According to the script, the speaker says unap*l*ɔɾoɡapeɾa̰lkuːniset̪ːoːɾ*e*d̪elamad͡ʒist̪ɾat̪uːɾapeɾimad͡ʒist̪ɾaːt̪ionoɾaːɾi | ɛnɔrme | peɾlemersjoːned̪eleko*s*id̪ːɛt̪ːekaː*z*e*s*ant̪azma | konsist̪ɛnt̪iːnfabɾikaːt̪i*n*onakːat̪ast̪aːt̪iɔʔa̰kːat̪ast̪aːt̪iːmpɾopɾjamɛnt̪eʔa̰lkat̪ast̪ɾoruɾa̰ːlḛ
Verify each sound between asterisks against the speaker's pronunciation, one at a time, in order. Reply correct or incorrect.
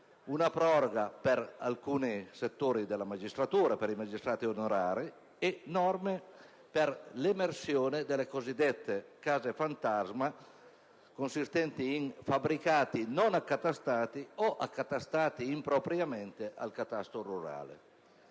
incorrect, incorrect, incorrect, correct, incorrect, correct

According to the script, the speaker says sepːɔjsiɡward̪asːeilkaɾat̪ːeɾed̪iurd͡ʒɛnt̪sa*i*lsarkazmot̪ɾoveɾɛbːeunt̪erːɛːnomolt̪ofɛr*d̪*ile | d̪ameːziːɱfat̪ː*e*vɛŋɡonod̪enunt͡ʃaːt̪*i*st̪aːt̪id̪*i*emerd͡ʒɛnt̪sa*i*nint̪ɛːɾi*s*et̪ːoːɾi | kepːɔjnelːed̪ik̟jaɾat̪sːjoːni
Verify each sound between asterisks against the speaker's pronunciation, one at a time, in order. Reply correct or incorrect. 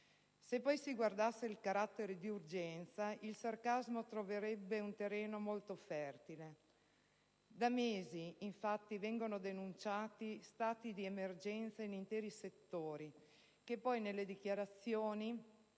correct, incorrect, incorrect, correct, correct, correct, correct

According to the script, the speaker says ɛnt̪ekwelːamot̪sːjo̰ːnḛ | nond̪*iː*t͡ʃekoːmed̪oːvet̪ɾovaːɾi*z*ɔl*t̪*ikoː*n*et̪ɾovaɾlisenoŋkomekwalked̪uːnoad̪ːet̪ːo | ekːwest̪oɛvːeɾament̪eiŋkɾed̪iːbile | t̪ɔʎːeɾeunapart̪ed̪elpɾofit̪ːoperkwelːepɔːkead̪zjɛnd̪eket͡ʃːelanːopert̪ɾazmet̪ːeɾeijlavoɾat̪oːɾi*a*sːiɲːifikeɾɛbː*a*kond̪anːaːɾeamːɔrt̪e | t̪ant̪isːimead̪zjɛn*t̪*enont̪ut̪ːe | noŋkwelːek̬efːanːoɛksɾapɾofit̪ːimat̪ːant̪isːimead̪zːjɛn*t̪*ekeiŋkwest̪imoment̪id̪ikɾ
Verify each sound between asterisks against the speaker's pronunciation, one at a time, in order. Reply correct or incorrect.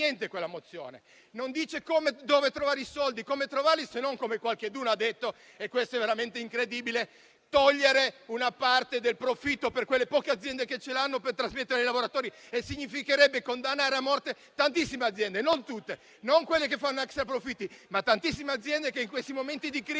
correct, incorrect, incorrect, incorrect, incorrect, incorrect, incorrect, incorrect

